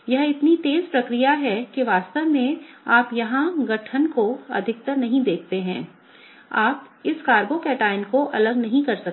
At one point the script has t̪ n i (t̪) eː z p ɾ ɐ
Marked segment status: correct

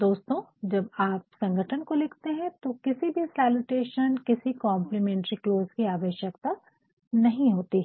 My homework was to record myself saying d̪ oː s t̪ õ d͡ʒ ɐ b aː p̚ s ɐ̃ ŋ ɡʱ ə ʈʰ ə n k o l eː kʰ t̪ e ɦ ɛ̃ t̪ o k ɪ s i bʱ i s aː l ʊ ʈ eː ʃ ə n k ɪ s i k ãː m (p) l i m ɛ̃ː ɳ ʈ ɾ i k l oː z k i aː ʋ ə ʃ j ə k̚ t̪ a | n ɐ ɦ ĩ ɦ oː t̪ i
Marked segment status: correct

